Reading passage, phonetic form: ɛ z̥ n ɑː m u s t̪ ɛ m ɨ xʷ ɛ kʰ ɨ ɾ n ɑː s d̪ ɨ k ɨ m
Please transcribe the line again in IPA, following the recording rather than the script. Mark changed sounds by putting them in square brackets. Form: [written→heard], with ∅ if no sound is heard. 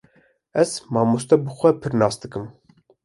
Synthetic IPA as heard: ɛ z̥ [n→m] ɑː m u s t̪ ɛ [m→b] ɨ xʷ ɛ [kʰ→pʰ] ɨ ɾ n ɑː s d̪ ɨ k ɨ m